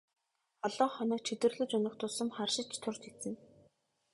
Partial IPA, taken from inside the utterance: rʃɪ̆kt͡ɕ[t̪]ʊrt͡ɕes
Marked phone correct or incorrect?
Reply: incorrect: t̪ʰ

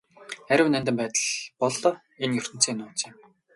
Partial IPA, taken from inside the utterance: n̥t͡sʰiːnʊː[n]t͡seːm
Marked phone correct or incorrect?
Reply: incorrect: none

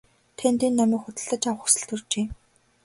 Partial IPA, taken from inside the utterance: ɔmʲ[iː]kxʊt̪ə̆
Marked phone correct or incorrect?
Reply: correct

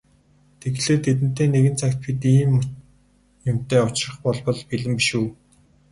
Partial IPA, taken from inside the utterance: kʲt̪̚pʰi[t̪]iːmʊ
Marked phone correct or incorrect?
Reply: correct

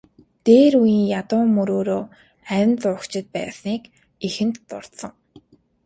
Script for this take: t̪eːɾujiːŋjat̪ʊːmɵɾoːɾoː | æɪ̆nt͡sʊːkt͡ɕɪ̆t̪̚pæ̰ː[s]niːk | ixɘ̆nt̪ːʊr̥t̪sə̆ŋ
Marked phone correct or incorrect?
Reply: correct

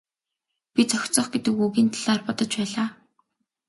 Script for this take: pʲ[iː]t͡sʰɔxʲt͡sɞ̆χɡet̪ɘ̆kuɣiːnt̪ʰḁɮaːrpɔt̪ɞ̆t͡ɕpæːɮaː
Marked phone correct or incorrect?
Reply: incorrect: i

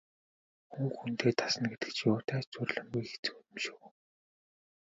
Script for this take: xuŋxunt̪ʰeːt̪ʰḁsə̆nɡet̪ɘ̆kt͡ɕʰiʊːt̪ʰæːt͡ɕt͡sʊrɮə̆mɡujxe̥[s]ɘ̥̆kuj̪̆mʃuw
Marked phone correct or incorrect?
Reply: incorrect: t͡s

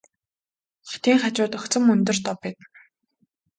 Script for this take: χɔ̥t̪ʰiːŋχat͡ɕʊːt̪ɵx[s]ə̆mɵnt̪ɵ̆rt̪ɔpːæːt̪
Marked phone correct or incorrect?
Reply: incorrect: t͡s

